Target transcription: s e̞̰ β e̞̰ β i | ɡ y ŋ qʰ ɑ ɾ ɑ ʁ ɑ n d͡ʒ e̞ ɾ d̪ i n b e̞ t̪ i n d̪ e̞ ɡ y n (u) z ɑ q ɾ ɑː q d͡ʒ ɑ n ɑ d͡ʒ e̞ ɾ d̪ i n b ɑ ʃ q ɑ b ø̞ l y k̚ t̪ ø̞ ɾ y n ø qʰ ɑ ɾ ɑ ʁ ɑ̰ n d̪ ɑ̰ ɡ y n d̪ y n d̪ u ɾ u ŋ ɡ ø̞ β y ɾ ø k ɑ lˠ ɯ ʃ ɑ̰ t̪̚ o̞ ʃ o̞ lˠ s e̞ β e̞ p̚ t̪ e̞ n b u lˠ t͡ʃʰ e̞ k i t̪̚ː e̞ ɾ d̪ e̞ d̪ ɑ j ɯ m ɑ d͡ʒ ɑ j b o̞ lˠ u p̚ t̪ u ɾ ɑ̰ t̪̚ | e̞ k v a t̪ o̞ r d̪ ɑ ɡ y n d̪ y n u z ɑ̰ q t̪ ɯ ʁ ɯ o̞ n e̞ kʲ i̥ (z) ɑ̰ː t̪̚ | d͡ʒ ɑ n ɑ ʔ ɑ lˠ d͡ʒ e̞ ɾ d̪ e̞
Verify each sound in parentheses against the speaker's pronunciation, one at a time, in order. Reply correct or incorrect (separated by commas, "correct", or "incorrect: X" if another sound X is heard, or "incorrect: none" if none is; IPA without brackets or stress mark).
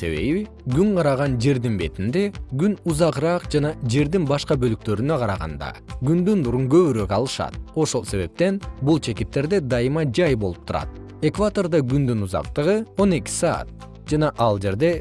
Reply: correct, incorrect: s